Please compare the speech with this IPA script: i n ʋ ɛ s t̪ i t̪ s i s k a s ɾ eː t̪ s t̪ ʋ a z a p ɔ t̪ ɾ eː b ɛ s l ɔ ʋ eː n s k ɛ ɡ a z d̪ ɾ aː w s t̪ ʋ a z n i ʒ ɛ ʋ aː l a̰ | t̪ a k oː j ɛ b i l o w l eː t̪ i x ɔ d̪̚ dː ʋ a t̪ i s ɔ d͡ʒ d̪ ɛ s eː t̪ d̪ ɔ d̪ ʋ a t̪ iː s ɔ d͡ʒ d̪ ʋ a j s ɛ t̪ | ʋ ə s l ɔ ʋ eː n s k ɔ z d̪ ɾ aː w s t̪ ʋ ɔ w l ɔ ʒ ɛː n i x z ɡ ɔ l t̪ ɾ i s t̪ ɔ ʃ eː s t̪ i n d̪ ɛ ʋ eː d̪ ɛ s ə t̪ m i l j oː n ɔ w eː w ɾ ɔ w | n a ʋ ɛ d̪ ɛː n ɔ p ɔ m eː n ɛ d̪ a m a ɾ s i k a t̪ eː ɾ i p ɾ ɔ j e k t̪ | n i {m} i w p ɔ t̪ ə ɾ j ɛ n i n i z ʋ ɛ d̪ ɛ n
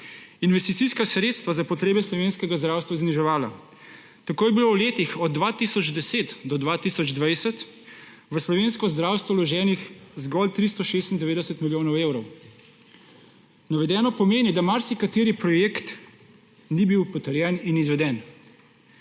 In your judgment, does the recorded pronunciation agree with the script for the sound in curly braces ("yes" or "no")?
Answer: no